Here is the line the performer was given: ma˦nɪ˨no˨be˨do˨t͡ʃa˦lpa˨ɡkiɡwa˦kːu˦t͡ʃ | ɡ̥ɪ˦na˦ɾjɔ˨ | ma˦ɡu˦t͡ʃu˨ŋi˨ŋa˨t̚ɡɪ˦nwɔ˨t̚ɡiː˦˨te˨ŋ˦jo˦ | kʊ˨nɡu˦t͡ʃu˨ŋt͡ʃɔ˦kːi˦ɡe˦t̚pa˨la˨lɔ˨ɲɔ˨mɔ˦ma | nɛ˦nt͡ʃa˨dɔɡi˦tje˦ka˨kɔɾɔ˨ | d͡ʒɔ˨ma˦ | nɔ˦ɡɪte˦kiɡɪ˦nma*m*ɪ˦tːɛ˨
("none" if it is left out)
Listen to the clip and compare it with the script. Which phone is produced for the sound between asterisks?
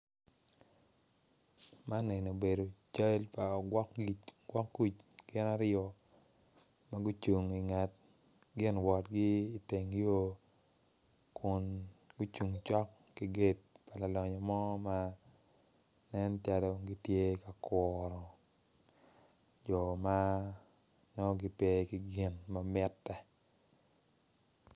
m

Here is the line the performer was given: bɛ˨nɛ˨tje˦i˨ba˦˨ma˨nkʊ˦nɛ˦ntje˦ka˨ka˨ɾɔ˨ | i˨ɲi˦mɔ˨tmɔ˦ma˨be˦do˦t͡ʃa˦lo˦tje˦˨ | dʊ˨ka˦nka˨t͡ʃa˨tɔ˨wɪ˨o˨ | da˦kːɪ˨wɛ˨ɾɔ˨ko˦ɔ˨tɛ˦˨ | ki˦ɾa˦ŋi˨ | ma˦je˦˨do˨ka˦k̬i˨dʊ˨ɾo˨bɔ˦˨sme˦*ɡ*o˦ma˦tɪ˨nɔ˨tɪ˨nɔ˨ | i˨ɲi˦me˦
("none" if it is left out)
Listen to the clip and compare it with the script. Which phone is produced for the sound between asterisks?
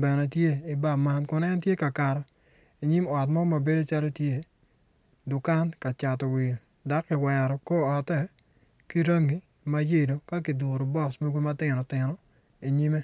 ɡ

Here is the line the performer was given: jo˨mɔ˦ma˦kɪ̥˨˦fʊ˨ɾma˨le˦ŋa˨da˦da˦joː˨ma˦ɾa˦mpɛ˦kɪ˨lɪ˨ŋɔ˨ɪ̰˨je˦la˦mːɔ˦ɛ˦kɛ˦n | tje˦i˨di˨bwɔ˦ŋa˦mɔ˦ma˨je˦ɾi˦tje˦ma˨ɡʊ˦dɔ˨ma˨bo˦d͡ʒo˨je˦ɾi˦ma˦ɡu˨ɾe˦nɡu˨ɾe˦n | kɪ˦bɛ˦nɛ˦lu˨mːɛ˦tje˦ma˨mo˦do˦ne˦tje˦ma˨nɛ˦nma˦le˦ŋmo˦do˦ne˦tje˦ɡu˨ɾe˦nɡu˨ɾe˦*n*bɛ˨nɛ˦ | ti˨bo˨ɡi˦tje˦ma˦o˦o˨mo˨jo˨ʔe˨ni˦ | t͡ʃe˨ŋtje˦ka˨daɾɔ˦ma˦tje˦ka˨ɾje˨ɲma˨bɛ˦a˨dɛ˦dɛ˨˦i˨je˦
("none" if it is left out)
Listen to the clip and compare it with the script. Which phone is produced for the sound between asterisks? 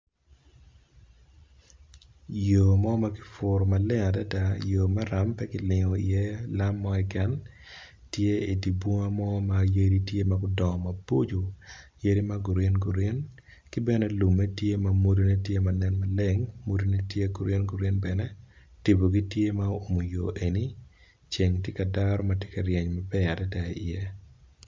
n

